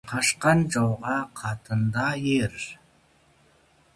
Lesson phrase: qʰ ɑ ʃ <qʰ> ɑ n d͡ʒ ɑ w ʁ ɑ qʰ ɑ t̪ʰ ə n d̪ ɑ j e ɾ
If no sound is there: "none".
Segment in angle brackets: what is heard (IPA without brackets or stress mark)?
q